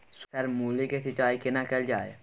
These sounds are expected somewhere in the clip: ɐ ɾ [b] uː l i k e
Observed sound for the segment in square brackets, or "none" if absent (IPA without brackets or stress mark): m